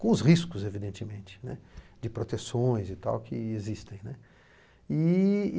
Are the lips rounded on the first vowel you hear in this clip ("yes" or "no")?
yes